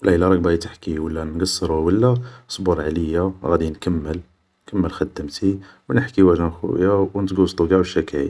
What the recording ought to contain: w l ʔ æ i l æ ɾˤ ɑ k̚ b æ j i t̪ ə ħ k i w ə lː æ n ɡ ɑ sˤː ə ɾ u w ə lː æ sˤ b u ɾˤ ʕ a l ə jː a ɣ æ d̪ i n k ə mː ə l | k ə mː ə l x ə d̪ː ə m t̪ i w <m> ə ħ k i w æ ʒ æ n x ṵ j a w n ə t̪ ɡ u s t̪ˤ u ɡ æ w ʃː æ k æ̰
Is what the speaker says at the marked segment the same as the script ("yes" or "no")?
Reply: no